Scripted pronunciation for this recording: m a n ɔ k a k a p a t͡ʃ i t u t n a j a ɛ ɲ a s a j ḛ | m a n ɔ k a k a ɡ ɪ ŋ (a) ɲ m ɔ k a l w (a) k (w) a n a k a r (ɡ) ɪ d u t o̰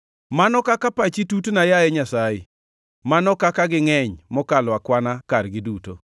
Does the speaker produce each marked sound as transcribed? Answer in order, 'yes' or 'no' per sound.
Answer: no, yes, yes, yes

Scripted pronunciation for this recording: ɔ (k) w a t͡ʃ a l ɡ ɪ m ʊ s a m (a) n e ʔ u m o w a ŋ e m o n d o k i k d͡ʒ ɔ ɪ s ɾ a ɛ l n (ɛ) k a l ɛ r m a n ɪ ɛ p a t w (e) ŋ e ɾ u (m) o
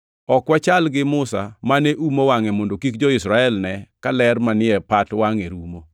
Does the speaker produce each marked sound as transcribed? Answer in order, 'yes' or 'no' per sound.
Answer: yes, yes, yes, no, yes

